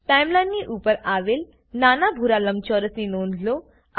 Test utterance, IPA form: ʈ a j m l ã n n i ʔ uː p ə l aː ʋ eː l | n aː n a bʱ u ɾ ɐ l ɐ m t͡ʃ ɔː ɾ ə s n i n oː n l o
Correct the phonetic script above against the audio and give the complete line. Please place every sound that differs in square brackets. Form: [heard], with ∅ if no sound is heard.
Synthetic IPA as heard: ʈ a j m l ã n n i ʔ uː p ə [ɾ] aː ʋ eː l | n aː n a bʱ u ɾ [a] l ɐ m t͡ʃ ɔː ɾ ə s n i n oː n l o